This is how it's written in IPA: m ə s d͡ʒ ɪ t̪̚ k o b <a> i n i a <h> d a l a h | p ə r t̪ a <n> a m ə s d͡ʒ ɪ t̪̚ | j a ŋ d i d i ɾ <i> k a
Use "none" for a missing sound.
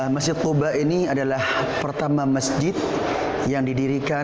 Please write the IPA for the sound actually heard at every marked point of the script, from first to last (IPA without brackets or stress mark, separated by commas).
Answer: a, none, m, i